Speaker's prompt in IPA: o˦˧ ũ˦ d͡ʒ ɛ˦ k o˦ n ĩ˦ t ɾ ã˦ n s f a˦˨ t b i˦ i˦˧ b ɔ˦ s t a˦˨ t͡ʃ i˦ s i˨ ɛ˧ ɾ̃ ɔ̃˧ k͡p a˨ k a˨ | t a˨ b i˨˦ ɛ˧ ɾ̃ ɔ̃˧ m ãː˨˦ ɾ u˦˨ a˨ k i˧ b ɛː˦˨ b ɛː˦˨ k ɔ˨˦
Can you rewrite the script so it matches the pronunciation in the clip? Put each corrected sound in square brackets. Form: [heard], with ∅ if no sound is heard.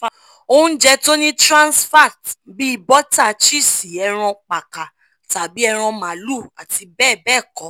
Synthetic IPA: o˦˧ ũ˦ d͡ʒ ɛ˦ [t] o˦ n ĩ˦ t ɾ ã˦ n s f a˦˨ t b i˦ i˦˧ b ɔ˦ [∅] t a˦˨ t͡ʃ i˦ s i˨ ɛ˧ ɾ̃ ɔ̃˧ k͡p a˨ k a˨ | t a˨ b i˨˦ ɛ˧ ɾ̃ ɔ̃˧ m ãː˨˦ [l] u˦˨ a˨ [t] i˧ b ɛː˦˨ b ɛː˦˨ k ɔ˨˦